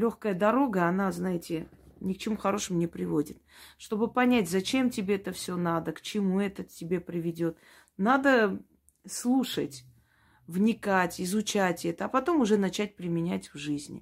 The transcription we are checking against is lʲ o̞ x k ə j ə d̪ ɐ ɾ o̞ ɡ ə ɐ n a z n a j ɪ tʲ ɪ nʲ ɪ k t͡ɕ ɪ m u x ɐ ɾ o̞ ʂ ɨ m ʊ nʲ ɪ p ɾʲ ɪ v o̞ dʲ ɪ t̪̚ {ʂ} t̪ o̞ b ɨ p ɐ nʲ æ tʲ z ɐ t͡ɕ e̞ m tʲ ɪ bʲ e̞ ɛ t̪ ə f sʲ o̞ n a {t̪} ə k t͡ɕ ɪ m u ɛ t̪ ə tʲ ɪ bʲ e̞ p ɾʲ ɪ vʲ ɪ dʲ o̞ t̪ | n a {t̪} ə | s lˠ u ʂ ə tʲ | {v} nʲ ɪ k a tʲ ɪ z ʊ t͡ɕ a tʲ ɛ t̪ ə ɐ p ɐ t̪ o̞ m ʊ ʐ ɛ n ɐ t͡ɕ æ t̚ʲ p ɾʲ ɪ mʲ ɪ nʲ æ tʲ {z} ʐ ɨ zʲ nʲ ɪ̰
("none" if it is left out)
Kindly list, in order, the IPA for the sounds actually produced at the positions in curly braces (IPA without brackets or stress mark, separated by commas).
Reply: ʂ, d̪, d̪, v, v